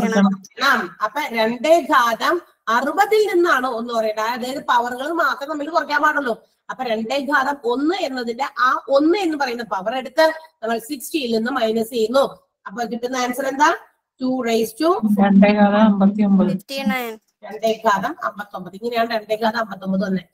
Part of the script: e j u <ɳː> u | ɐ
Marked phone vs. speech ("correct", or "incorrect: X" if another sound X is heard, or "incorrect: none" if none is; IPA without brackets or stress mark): incorrect: nː